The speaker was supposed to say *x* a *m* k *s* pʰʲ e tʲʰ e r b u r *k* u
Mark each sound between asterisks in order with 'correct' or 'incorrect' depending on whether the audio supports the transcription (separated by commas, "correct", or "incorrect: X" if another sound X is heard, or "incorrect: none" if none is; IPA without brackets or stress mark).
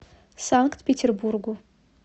incorrect: s, incorrect: ŋ, incorrect: t, incorrect: ɡ